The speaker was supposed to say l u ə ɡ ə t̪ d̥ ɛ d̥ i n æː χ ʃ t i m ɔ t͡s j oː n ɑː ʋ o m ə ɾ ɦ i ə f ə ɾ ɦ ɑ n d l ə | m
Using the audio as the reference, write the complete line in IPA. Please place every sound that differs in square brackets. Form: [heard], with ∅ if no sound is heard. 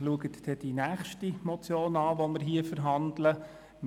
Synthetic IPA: l u ə ɡ ə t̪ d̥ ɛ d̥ i n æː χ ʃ t i m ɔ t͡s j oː n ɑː ʋ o m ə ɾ ɦ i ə f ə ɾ ɦ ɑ n d l ə | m